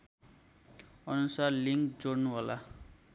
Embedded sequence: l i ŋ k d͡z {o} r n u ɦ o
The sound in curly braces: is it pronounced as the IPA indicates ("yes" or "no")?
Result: yes